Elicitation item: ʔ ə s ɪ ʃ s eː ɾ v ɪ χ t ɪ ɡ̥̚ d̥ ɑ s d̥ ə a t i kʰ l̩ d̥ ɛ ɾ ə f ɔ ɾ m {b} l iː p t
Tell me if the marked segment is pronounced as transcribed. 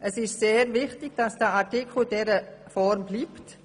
yes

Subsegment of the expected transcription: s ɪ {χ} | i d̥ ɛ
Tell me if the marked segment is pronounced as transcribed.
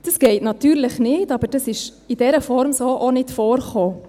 no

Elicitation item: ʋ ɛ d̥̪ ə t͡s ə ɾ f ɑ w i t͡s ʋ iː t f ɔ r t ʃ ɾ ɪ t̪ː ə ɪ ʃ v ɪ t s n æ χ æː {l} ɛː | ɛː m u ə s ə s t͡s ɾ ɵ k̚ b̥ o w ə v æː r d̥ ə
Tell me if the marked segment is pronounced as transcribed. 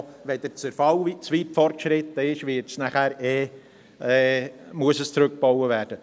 no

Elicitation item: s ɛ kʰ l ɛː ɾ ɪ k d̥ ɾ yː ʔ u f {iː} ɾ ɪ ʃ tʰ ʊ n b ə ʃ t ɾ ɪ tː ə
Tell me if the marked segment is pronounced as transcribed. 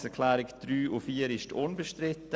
yes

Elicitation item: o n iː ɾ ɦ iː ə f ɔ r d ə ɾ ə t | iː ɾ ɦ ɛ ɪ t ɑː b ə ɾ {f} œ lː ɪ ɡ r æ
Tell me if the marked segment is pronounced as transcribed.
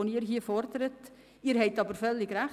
yes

